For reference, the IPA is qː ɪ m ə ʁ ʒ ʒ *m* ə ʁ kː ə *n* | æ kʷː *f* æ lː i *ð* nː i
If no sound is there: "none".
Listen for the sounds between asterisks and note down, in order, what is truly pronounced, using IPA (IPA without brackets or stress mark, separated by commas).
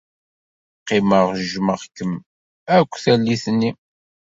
m, m, θ, θ